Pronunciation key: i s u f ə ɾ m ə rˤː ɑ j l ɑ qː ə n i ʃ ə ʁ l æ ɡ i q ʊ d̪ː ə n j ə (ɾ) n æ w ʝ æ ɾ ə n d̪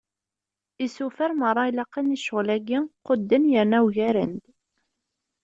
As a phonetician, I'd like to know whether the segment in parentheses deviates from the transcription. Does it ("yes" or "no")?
no